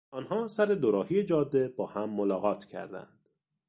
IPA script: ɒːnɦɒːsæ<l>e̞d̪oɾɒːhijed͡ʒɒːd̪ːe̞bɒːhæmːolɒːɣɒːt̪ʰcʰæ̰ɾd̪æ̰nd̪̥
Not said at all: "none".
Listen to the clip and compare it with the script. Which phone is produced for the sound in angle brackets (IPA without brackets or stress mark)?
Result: ɾ